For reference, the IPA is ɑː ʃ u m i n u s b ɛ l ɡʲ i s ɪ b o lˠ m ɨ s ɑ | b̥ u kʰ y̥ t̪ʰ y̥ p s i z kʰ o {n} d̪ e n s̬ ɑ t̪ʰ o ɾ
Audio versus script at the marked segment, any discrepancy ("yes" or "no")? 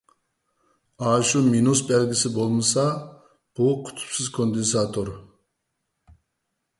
no